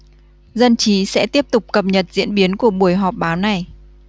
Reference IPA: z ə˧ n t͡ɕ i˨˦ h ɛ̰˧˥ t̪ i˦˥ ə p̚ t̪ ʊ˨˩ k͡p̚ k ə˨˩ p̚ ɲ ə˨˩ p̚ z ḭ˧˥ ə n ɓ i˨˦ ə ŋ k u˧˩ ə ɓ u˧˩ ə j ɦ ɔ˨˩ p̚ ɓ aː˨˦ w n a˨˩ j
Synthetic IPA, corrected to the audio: z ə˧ n t͡ɕ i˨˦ s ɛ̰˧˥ t̪ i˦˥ ə p̚ t̪ ʊ˨˩ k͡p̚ k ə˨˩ p̚ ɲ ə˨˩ t̚ z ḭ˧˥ ə n ɓ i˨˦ ə n k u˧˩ ə ɓ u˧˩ ə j ɦ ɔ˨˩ p̚ ɓ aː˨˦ w n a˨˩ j